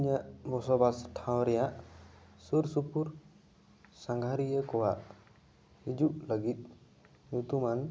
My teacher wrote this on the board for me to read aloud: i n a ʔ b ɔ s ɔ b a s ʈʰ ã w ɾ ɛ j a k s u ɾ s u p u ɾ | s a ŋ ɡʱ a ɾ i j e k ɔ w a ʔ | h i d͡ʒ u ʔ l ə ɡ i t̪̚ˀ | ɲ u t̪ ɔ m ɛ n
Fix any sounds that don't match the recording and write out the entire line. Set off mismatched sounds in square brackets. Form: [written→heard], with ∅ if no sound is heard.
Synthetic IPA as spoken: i [n→ɲ] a ʔ b ɔ s ɔ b a s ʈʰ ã w ɾ ɛ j a [k→ʔ] s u ɾ s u p u ɾ | s a ŋ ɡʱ a ɾ i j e k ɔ w a ʔ | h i d͡ʒ u ʔ l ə ɡ i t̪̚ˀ | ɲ u t̪ [ɔ→u] m [ɛ→a] n